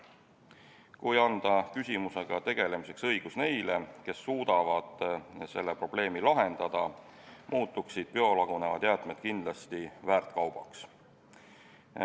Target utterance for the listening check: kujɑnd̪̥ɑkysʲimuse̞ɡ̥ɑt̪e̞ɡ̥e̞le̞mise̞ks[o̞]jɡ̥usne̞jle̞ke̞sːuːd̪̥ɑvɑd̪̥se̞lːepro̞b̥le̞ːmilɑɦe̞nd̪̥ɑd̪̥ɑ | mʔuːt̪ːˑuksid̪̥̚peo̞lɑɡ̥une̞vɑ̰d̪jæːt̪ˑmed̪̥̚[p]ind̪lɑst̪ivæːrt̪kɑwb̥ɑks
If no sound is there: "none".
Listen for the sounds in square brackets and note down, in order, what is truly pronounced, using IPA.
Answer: ɤ̞, k

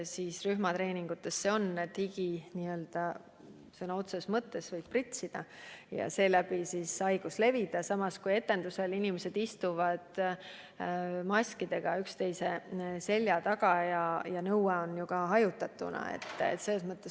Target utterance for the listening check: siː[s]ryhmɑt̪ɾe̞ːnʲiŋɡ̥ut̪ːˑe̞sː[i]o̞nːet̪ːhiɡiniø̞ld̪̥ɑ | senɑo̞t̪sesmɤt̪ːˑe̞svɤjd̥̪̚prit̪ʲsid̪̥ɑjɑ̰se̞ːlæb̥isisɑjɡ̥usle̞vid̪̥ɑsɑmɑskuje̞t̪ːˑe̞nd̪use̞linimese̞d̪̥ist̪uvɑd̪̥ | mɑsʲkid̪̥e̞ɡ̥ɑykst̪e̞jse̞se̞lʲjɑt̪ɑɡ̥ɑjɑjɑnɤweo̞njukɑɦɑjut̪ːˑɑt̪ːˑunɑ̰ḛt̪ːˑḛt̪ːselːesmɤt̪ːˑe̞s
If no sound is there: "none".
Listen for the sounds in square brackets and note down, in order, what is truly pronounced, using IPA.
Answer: s, e

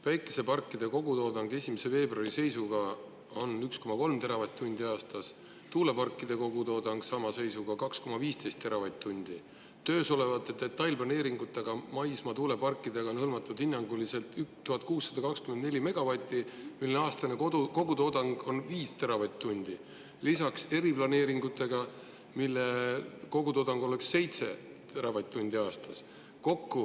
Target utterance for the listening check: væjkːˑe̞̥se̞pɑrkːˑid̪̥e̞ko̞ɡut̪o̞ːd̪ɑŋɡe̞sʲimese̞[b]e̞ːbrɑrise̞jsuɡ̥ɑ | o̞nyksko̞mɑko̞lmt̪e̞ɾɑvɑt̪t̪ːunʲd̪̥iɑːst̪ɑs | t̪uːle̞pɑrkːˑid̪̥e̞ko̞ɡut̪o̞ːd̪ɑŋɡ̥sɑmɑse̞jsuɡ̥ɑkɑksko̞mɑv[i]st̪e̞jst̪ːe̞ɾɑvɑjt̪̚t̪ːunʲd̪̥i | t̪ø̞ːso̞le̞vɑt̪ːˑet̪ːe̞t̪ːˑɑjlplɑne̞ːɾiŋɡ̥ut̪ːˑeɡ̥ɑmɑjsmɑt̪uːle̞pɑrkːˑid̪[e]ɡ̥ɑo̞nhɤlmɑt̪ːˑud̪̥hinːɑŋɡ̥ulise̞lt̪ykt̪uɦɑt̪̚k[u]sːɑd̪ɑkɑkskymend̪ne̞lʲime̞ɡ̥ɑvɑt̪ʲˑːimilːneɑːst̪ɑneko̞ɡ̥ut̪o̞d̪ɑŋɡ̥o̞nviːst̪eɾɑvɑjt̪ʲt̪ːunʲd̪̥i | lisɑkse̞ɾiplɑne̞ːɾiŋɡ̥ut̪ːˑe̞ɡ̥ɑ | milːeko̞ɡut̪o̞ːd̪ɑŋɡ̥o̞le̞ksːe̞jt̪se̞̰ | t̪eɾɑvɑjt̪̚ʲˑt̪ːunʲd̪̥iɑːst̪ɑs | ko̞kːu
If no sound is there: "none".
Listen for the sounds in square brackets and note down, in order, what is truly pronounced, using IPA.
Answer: v, iː, e, uː

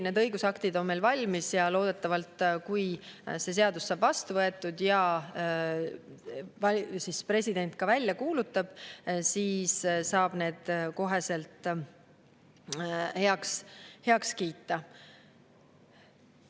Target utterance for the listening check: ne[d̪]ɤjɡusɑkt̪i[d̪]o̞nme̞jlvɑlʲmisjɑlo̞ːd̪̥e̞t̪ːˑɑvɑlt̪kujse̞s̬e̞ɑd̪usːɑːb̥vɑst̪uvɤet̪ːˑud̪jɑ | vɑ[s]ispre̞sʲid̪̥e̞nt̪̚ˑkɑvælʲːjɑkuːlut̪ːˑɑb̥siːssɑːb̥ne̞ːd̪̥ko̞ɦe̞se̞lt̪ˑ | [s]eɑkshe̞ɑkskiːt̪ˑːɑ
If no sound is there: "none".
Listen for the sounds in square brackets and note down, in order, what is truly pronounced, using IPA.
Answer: d̪, d̪, s, h

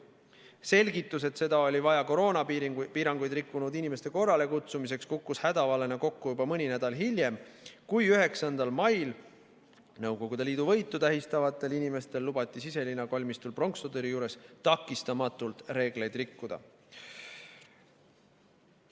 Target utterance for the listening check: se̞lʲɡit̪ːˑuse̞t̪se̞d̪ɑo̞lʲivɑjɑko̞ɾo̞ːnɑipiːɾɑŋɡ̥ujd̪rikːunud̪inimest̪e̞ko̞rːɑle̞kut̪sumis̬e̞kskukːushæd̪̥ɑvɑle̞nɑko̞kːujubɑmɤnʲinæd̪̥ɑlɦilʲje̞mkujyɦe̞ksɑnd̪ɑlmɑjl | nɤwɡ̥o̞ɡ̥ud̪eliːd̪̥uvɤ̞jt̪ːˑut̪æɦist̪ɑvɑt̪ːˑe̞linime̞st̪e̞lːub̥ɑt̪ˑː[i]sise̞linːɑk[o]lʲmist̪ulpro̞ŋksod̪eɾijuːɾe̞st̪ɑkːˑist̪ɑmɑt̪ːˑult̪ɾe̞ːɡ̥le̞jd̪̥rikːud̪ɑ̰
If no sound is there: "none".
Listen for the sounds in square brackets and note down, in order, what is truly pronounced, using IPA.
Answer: i, o

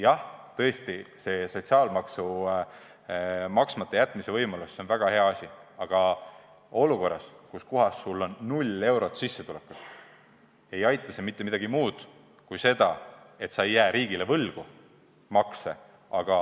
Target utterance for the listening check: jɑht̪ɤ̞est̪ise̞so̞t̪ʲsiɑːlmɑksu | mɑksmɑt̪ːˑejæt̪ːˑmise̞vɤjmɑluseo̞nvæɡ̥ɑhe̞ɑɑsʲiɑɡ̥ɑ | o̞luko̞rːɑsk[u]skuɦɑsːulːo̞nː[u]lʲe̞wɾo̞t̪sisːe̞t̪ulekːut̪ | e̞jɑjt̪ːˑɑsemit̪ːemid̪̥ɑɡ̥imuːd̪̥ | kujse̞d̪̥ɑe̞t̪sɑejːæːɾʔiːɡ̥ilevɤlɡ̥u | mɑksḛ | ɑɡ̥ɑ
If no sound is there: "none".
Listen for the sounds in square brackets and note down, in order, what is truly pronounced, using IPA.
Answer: u, u

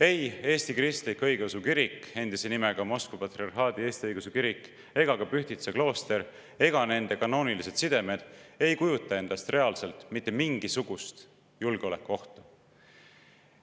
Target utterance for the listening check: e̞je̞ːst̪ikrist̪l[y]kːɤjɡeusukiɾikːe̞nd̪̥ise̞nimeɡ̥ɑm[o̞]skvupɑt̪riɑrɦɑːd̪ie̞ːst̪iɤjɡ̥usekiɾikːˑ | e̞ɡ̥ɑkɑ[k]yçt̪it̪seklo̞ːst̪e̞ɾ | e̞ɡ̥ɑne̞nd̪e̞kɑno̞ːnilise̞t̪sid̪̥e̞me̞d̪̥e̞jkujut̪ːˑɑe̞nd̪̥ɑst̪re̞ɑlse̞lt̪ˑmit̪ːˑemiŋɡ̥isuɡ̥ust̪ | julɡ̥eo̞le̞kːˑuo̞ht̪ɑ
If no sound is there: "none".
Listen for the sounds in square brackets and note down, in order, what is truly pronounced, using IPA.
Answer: i, o̞, p

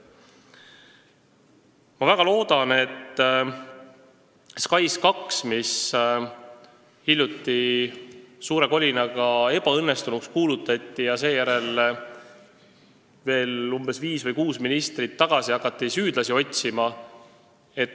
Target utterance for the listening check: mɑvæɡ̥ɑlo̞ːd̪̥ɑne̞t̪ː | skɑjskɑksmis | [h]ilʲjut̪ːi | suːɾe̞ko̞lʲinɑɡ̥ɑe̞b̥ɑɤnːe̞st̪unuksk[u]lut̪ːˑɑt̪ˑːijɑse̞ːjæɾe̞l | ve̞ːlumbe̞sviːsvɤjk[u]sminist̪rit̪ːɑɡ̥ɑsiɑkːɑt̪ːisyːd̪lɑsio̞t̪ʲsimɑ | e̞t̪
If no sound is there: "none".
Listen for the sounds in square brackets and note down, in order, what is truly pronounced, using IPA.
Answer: h, uː, uː

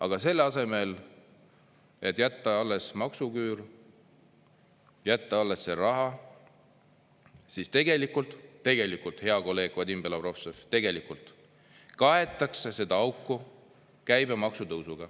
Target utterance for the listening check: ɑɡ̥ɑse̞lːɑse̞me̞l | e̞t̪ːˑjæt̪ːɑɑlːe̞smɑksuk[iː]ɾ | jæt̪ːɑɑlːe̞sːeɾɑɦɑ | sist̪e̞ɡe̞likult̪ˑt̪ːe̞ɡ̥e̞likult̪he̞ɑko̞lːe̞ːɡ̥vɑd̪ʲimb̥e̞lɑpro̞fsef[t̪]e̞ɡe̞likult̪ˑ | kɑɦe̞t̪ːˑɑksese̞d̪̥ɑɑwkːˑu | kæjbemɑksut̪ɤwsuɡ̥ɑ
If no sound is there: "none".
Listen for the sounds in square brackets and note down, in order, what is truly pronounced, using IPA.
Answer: yː, t̪

